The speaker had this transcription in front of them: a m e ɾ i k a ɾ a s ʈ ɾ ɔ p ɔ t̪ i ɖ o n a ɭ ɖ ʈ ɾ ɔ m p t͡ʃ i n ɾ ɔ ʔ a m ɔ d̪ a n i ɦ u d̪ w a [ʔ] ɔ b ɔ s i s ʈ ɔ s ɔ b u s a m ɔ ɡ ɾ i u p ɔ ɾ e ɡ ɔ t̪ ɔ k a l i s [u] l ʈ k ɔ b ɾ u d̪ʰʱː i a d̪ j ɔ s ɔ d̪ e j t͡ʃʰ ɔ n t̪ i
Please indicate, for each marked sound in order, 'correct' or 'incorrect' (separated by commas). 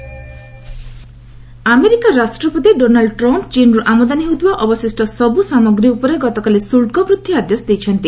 correct, correct